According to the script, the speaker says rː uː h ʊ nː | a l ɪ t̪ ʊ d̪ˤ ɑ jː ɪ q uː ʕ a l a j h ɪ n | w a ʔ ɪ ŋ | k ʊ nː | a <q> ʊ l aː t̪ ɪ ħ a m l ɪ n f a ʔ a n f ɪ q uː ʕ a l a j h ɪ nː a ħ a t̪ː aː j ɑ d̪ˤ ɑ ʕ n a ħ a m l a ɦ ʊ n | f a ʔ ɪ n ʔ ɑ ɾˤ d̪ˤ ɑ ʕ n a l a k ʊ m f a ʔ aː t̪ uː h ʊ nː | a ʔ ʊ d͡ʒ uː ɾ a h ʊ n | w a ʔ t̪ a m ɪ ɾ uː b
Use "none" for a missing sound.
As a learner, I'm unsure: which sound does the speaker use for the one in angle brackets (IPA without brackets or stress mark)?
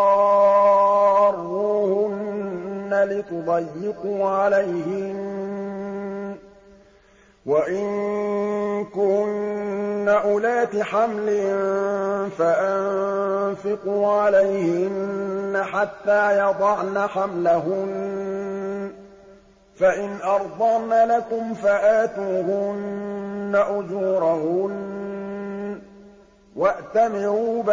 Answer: ʔ